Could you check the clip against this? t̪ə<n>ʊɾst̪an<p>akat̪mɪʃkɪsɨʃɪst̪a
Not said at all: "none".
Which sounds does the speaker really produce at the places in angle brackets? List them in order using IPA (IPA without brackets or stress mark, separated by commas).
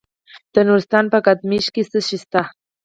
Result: n, p